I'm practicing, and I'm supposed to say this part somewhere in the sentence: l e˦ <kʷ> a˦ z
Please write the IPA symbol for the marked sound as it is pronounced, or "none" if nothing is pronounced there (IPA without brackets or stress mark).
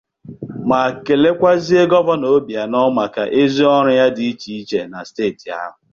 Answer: kʷ